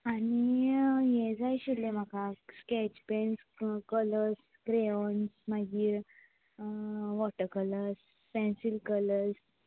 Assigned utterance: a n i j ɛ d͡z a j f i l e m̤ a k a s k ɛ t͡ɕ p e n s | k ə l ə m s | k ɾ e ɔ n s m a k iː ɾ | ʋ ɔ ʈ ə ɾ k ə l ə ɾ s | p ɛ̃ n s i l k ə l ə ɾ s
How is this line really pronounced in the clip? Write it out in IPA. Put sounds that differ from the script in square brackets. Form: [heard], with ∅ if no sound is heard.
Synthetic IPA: a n i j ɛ d͡z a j [ɕ] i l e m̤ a k a s k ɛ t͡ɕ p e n s | k ə l ə [∅] s | k ɾ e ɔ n s m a [ɡ] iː ɾ | ʋ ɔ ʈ ə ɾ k ə l ə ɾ s | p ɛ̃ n s i l k ə l ə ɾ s